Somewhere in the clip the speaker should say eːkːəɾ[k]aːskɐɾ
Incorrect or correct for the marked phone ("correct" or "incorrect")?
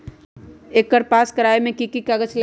incorrect